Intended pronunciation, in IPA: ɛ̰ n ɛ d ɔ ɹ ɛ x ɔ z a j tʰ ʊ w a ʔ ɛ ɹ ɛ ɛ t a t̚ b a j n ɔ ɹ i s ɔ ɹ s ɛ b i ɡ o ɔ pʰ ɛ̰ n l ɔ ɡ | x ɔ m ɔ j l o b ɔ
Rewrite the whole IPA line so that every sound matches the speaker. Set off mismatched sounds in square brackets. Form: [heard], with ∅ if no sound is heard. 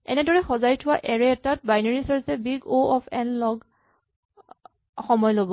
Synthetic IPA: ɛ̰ n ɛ d ɔ ɹ ɛ x ɔ z a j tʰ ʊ w a ʔ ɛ ɹ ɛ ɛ t a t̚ b a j n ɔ ɹ i s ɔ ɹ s ɛ b i ɡ o ɔ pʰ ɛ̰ n l ɔ ɡ | x ɔ m ɔ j l o b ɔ